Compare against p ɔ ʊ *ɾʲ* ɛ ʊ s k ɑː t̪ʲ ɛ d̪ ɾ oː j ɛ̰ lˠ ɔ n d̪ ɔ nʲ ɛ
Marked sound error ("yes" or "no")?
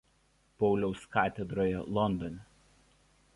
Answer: yes